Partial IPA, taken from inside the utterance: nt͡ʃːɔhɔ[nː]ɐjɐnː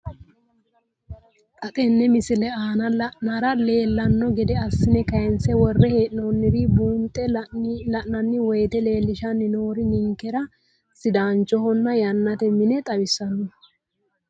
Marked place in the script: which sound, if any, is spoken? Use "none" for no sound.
nː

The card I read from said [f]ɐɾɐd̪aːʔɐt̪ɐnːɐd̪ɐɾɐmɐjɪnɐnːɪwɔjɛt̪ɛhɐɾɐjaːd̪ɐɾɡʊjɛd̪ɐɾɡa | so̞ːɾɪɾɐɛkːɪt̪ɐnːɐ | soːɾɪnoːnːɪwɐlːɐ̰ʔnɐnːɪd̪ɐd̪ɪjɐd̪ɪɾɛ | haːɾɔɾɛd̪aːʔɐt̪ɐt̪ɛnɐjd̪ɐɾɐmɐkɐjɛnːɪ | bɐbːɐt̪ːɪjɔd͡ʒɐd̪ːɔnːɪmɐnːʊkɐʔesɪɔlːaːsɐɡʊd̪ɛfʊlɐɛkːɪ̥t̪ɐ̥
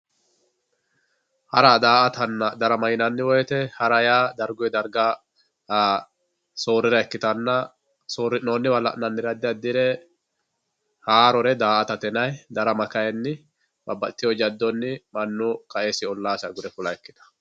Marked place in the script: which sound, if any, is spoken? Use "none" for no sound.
h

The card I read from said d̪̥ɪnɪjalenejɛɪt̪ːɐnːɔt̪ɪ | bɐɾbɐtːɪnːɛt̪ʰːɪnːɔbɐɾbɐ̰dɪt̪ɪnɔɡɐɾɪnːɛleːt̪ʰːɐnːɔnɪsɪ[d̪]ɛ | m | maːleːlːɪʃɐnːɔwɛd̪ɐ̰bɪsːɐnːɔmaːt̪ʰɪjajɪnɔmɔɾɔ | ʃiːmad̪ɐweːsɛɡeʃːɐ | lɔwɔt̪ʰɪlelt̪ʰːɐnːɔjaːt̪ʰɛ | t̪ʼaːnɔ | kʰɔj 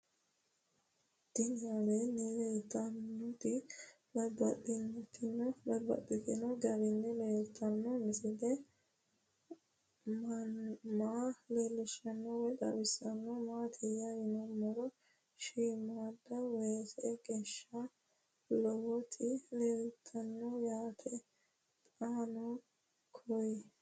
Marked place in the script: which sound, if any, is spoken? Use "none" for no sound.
d̪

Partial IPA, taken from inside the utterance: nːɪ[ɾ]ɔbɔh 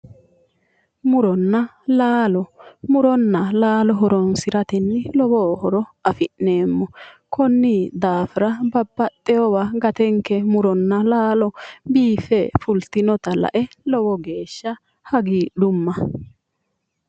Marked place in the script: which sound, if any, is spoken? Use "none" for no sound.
l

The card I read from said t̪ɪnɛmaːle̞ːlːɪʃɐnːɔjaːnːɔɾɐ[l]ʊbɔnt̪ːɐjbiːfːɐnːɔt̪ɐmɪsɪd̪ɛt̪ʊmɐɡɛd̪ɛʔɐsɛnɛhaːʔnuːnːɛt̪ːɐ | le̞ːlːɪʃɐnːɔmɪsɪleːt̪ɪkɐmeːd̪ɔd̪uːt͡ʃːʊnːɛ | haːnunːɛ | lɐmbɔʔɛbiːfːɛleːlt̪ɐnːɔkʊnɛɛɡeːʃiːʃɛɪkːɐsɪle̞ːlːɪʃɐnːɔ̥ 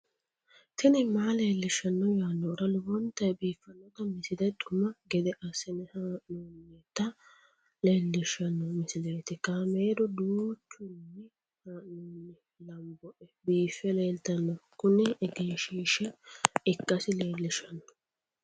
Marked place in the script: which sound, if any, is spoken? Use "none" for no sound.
l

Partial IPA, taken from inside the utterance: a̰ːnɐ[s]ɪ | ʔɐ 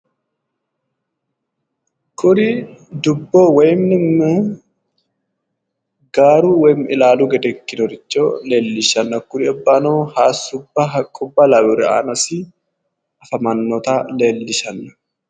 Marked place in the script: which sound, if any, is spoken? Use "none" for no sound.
s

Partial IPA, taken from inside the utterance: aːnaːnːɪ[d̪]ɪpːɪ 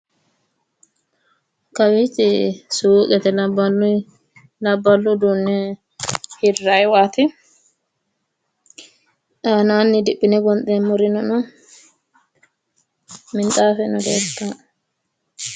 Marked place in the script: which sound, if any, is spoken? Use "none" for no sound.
d̪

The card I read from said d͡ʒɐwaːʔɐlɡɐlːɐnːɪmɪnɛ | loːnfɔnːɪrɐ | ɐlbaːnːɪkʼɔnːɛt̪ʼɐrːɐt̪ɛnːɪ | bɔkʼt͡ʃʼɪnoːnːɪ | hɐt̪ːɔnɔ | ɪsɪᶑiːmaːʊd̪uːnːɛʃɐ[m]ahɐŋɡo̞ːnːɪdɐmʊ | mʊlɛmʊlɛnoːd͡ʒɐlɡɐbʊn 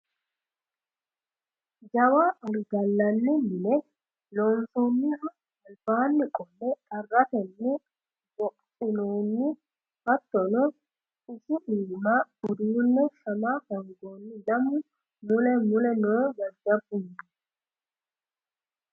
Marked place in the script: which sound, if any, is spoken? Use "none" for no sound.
m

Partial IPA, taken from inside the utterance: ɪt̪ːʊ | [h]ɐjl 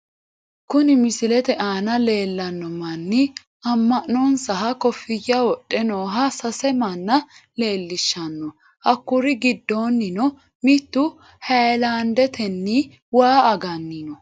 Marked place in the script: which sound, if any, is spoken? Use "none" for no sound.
h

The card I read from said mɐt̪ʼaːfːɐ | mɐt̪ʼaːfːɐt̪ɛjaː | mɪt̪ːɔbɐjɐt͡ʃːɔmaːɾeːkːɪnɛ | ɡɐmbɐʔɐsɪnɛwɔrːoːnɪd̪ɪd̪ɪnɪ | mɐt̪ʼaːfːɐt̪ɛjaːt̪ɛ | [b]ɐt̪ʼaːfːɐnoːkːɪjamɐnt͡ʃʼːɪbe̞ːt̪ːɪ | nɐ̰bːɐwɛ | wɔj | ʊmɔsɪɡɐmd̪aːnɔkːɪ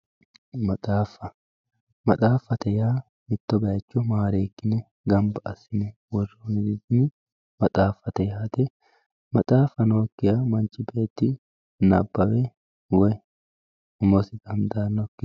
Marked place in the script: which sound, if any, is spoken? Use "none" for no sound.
m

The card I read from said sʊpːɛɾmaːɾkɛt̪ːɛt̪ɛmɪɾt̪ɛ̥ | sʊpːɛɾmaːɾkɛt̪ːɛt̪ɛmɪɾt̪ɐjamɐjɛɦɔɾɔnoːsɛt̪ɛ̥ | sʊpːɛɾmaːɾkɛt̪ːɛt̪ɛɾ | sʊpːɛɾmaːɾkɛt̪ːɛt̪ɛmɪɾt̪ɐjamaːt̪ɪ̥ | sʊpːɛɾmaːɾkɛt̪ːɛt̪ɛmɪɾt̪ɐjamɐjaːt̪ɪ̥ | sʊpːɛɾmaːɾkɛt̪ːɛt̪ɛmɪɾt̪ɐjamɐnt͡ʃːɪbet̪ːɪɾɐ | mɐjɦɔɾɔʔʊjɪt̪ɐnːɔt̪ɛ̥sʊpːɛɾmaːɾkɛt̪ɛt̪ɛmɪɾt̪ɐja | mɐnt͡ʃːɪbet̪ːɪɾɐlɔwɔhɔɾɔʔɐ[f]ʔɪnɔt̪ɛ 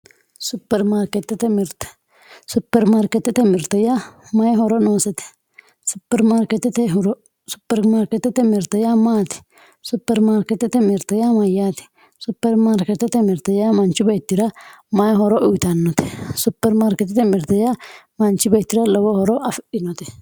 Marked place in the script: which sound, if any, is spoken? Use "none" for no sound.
f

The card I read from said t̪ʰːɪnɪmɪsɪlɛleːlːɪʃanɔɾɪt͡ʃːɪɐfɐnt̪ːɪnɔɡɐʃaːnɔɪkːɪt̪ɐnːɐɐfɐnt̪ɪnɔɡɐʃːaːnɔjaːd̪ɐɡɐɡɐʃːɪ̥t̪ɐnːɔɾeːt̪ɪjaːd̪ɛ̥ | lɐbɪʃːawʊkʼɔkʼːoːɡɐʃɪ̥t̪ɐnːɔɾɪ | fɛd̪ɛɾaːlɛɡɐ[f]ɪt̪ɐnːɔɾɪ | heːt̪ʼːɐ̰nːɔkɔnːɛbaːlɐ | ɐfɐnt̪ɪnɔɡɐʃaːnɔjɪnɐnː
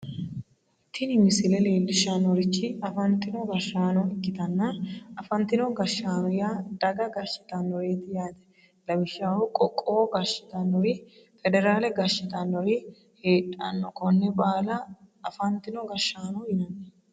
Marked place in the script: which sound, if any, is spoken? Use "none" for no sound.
ʃ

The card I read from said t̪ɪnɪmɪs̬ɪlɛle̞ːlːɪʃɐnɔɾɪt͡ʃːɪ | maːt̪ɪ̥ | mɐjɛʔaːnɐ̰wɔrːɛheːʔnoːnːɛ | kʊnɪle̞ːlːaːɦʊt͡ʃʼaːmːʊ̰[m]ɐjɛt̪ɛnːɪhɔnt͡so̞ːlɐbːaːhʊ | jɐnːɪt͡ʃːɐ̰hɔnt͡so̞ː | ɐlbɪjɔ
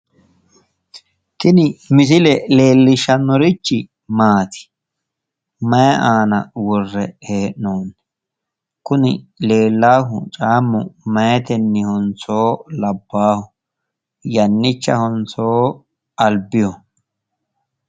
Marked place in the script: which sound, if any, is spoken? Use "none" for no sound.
m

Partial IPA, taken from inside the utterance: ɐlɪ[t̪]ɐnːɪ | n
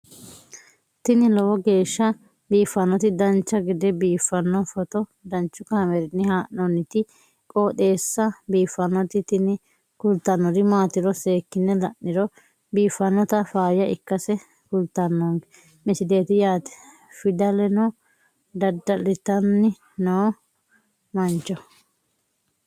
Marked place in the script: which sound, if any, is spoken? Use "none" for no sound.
t̪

